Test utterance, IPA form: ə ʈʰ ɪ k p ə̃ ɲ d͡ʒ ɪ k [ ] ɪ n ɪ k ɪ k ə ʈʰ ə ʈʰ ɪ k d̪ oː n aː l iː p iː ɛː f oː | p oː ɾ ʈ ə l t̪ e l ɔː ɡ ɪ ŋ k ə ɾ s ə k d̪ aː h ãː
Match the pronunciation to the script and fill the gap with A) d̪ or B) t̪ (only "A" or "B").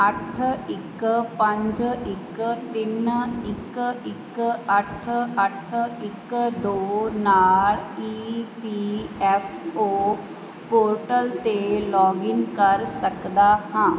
B